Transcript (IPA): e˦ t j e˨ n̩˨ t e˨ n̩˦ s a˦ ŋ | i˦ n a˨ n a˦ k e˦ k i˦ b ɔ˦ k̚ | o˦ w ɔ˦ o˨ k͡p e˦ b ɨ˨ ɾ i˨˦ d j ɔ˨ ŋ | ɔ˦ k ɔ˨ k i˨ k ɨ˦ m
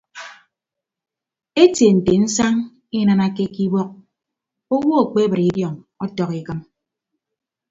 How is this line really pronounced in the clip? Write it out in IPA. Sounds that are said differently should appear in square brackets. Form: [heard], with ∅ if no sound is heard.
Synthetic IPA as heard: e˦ t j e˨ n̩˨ t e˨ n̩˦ s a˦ ŋ | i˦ n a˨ n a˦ k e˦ k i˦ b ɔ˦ k̚ | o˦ w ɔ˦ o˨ k͡p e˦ b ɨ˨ ɾ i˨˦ d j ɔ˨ ŋ | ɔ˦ [t] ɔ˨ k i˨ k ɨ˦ m